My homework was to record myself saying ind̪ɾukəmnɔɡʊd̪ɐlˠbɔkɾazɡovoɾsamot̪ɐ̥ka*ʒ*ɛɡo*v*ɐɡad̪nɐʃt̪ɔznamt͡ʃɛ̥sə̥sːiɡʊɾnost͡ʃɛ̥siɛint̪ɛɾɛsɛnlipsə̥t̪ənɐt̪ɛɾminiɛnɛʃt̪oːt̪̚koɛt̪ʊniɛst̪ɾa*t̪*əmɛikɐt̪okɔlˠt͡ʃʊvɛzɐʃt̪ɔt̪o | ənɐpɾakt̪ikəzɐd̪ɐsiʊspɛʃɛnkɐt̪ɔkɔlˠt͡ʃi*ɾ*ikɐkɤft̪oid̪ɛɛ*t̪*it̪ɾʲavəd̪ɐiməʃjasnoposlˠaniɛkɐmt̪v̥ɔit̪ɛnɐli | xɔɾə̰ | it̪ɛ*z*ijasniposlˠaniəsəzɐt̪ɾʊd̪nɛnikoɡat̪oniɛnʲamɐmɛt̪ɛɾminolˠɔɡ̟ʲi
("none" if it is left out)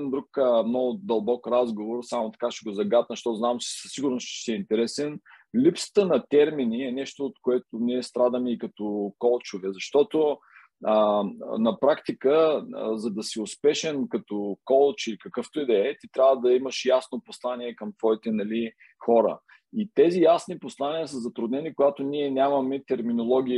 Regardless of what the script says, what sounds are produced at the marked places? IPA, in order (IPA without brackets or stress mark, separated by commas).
ʃ, z, d̪, l, t̪, z